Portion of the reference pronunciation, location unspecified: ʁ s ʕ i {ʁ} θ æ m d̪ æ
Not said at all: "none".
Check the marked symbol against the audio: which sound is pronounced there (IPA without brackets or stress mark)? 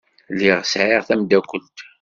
ʁ